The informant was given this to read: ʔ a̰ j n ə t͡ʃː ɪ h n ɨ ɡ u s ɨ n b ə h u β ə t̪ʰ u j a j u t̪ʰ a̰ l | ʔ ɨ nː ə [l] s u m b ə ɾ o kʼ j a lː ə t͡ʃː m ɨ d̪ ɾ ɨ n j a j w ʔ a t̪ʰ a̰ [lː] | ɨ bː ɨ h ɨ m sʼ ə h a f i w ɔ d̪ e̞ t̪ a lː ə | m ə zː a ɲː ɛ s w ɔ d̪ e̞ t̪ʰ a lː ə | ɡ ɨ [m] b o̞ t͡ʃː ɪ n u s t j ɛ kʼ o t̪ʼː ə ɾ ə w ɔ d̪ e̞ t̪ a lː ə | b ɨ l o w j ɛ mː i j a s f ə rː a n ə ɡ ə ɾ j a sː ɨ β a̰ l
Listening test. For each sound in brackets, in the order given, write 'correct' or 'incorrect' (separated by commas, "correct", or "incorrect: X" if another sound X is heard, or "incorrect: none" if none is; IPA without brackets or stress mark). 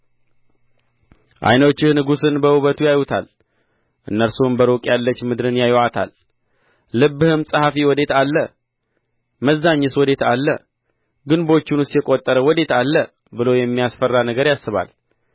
incorrect: ɾ, correct, incorrect: n